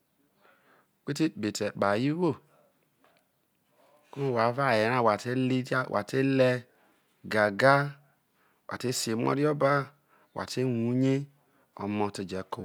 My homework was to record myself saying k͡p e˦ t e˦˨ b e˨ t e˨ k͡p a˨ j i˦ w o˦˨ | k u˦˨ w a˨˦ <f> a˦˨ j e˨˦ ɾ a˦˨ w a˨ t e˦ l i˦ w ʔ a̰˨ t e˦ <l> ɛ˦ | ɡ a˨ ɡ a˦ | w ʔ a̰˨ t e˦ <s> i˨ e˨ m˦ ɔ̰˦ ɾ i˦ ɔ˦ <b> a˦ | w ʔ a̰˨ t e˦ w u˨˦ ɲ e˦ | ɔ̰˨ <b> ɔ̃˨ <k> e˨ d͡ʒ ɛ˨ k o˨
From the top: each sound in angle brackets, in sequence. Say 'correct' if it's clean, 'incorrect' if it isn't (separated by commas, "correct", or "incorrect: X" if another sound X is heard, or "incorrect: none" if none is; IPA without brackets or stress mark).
incorrect: v, correct, correct, correct, incorrect: m, incorrect: t